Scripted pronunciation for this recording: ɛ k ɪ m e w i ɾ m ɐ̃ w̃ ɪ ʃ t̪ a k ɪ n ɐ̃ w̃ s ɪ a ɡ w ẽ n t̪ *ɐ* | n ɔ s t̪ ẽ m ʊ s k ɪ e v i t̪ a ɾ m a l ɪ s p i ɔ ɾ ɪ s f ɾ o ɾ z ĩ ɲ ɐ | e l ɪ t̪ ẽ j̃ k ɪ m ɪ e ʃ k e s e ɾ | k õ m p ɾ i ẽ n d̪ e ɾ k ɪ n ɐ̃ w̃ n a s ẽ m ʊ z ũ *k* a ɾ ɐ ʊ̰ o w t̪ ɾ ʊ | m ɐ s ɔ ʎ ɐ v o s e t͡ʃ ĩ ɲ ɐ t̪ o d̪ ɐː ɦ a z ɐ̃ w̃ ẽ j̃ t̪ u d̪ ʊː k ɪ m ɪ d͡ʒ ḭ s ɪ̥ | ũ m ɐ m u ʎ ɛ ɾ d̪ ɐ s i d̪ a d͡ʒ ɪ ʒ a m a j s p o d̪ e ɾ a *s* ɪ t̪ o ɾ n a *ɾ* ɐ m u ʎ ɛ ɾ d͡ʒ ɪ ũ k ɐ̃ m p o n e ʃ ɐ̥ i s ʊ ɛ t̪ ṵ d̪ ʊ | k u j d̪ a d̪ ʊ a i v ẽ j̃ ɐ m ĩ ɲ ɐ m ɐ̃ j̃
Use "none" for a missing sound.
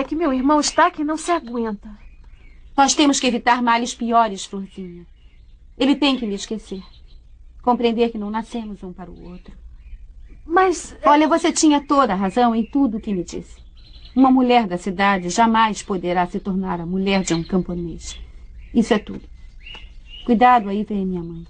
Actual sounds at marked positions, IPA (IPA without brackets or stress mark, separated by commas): ɐ, p, s, ɾ